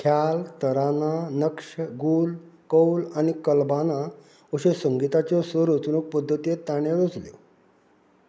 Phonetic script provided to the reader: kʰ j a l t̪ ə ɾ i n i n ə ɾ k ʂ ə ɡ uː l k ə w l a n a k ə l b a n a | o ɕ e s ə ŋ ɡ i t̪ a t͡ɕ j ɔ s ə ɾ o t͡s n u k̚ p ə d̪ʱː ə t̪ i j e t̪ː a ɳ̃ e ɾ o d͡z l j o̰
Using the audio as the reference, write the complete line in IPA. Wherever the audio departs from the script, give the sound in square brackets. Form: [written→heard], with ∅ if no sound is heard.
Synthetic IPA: kʰ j a l t̪ ə ɾ [i→a] n [i→a] n ə [ɾ→∅] k ʂ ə ɡ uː l k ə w l a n [a→i] k ə l b a n a | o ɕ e s ə ŋ ɡ i t̪ a t͡ɕ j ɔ s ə ɾ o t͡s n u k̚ p ə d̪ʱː ə t̪ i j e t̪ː a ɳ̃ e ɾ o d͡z l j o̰